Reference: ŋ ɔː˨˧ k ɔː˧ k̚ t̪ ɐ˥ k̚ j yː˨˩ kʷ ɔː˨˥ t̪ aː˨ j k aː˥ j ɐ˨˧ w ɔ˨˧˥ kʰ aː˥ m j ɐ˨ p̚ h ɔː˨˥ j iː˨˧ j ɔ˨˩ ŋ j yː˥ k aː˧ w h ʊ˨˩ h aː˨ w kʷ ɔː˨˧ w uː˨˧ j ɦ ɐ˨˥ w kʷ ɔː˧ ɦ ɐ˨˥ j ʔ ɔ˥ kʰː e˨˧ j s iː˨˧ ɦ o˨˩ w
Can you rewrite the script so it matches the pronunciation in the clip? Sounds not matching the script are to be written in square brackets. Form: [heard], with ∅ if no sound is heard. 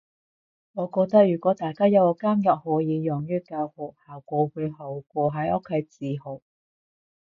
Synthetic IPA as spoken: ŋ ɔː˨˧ k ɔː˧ k̚ t̪ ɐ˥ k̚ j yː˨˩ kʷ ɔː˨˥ t̪ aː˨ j k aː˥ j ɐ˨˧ w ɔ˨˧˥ [k] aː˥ m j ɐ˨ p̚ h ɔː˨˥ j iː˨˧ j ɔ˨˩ ŋ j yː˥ k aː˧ w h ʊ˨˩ h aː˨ w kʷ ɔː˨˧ w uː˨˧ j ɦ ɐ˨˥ w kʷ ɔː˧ ɦ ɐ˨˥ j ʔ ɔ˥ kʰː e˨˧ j [t͡s] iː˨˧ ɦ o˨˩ w